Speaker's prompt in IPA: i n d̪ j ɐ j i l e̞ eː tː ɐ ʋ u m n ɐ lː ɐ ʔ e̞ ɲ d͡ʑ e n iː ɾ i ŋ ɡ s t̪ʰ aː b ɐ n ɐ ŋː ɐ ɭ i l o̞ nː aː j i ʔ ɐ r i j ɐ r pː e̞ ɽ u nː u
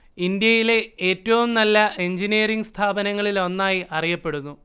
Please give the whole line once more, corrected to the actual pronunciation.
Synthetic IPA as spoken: i n d̪ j ɐ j i l e̞ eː tː ɐ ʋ u m n ɐ lː ɐ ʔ e̞ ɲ d͡ʑ i n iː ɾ i ŋ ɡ s t̪ʰ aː b ɐ n ɐ ŋː ɐ ɭ i l o̞ nː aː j i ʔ ɐ r i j ɐ pː e̞ ɽ u nː u